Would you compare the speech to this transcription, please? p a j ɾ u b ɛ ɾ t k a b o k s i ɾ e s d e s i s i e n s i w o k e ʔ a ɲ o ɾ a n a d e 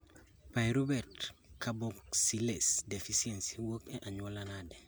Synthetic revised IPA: p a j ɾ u b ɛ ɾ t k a b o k s i l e s d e f i s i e n s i w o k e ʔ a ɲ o l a n a d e